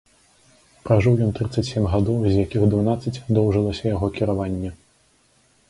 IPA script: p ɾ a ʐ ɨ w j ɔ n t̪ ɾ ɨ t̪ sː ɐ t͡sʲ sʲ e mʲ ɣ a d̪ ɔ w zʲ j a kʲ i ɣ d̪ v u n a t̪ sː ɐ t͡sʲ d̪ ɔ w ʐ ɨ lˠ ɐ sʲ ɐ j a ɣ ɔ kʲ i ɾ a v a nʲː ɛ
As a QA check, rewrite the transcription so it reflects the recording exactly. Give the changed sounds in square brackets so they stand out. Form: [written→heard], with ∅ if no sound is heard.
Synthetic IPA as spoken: p ɾ a ʐ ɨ w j ɔ n t̪ ɾ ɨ t̪ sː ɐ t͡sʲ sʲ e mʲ ɣ a d̪ ɔ w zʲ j a kʲ i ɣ d̪ v u n a t̪ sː ɐ t͡sʲ d̪ ɔ w ʐ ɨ lˠ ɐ sʲ ɐ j a ɣ ɔ kʲ i ɾ a v a nʲː ɛ